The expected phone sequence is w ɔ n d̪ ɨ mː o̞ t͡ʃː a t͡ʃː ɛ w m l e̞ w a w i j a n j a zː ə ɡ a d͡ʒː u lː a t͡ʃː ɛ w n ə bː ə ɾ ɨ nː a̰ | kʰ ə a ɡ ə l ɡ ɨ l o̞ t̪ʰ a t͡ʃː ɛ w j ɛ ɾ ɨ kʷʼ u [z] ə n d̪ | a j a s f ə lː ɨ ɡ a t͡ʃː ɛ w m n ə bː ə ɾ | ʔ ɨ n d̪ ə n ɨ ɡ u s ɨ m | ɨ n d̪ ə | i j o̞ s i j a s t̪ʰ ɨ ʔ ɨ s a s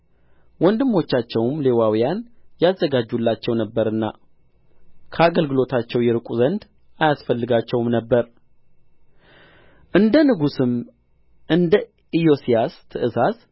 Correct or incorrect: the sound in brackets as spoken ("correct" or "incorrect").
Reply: correct